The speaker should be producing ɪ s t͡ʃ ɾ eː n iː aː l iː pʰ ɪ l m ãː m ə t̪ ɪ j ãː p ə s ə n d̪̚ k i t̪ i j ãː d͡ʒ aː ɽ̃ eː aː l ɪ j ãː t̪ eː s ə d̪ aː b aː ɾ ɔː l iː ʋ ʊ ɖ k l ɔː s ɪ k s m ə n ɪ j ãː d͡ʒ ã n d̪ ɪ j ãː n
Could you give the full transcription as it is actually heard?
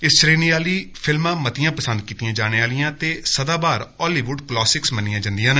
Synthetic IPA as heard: ɪ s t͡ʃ ɾ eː n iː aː l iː pʰ ɪ l m ãː m ə t̪ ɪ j ãː p ə s ə n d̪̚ k iː t̪ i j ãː d͡ʒ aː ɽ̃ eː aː l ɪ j ãː t̪ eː s ə d̪ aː b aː ɾ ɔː l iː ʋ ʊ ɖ k l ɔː s ɪ k s m ə n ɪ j ãː d͡ʒ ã n d̪ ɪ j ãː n